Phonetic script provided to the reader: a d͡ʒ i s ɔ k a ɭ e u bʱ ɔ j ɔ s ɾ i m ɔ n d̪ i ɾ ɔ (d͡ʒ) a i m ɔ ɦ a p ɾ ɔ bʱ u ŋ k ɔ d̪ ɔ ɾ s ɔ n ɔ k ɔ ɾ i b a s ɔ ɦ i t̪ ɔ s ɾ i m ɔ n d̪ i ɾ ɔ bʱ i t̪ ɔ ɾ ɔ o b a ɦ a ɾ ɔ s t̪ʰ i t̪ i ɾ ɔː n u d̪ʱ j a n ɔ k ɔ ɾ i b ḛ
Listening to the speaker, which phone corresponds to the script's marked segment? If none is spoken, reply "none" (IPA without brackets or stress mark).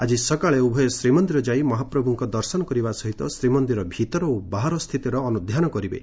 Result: d͡ʒ